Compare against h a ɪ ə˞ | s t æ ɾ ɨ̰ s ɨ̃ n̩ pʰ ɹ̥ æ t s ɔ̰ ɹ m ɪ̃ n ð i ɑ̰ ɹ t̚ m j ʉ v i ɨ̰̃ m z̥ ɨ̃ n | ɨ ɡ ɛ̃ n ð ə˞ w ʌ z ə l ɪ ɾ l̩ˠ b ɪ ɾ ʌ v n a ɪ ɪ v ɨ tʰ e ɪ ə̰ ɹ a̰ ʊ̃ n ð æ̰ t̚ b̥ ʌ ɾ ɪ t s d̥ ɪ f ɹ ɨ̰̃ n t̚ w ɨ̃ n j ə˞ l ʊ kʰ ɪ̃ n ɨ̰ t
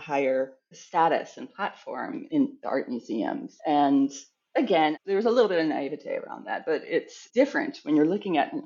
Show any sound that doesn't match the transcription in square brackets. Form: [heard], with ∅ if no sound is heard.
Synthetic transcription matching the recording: h a ɪ ə˞ | s t æ ɾ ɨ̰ s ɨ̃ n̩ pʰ [l̥] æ t [f] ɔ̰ ɹ m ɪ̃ n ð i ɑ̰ ɹ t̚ m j ʉ [z] i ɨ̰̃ m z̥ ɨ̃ n | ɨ ɡ ɛ̃ n ð ə˞ w ʌ z ə l ɪ ɾ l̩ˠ b ɪ ɾ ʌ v n a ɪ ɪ v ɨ tʰ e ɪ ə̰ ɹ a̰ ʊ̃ n ð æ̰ t̚ b̥ ʌ ɾ ɪ t s d̥ ɪ f ɹ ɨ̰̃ n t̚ w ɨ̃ n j ə˞ l ʊ [k] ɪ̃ [ŋ] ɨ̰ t